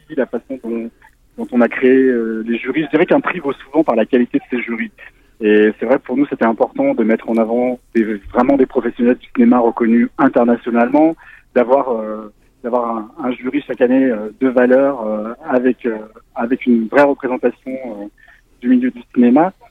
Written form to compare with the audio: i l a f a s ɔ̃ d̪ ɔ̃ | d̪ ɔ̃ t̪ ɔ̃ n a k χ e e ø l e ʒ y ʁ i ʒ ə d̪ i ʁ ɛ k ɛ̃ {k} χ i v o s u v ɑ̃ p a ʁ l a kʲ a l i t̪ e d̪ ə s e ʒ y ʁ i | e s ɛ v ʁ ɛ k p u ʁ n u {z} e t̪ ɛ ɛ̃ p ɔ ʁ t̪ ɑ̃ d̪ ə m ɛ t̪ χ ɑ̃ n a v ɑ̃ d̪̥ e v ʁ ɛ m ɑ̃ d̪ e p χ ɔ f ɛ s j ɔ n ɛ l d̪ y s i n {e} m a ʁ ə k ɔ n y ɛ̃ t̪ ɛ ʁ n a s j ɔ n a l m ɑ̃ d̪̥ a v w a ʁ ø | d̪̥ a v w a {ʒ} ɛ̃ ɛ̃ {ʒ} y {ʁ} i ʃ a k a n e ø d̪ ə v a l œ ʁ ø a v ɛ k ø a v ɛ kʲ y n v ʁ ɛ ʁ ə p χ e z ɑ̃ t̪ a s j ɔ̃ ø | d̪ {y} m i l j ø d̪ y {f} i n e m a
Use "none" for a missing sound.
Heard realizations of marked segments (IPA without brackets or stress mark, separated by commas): p, s, e, ʁ, ʒ, ʁ, y, s